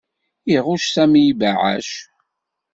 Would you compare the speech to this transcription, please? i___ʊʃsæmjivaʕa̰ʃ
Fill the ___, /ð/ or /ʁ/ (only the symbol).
ʁ